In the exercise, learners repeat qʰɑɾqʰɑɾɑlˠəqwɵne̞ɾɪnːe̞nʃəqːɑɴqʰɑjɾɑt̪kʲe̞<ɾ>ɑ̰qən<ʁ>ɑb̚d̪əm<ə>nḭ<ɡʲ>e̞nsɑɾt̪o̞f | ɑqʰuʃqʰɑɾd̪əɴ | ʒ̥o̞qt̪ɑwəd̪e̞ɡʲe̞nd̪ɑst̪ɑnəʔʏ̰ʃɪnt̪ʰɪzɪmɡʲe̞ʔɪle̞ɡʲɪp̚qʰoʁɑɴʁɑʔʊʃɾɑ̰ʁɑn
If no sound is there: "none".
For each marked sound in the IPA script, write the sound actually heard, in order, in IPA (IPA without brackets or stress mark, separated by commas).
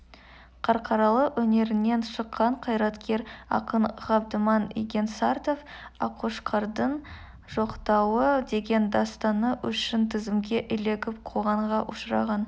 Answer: ɾ, ʁ, ɑ, ɡʲ